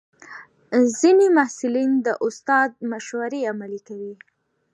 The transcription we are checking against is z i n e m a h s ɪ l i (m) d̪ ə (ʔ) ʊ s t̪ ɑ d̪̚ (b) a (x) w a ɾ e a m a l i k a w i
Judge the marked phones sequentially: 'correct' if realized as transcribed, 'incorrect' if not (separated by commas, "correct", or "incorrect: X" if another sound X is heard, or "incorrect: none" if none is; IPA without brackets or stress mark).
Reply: incorrect: n, correct, incorrect: m, incorrect: ʃ